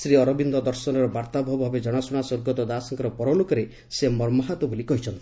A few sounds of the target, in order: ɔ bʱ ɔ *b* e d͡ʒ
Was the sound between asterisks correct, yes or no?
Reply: yes